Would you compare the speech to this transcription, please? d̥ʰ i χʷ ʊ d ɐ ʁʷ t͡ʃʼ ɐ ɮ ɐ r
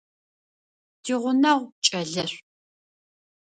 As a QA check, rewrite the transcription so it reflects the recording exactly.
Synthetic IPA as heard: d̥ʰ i ʁʷ ʊ n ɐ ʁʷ t͡ʃʼ ɐ ɮ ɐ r